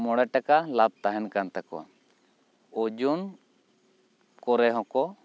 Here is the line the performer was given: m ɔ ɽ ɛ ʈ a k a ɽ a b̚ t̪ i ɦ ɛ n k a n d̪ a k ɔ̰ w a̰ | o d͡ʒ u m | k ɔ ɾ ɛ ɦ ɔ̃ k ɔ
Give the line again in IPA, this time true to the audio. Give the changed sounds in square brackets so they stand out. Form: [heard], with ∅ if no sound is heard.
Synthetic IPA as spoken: m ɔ ɽ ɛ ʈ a k a [l] a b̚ t̪ [a] ɦ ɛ n k a n [t̪] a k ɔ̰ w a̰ | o d͡ʒ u [n] | k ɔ ɾ ɛ ɦ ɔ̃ k ɔ